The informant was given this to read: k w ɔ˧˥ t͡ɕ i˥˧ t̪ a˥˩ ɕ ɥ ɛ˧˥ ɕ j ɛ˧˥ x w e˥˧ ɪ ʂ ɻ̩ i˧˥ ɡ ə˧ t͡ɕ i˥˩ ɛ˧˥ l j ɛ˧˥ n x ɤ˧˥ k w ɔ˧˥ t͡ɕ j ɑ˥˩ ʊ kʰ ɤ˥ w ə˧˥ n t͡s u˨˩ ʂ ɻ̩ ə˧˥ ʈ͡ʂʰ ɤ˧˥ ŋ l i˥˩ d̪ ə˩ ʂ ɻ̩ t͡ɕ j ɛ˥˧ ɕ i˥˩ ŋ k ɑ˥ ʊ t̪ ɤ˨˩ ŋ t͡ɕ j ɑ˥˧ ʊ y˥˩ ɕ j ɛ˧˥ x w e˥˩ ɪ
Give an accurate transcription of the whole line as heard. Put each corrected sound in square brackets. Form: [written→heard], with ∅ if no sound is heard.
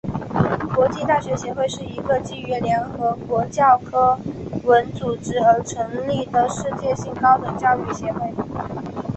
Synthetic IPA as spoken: k w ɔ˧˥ t͡ɕ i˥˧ t̪ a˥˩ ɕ ɥ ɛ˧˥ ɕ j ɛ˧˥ x w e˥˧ ɪ ʂ ɻ̩ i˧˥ ɡ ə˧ t͡ɕ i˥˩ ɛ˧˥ l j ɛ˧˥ n x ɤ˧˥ k w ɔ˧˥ t͡ɕ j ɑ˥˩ ʊ kʰ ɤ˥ w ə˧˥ n t͡s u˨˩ [ʂ→ʈ͡ʂ] ɻ̩ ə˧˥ ʈ͡ʂʰ ɤ˧˥ ŋ l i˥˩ d̪ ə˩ ʂ ɻ̩ t͡ɕ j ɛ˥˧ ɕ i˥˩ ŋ k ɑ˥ ʊ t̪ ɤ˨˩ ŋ t͡ɕ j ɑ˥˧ ʊ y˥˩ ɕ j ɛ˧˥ x w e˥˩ ɪ